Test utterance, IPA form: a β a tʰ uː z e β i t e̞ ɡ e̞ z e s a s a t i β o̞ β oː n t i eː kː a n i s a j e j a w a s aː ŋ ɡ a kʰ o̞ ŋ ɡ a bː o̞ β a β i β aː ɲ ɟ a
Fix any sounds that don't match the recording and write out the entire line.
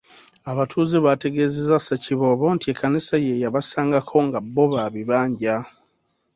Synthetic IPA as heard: a β a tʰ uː z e β a t e̞ ɡ e̞ z e z a s a c i β o̞ β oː n t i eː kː a n i s a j e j a β a s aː ŋ ɡ a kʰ o̞ ŋ ɡ a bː o̞ β a β i β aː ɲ ɟ a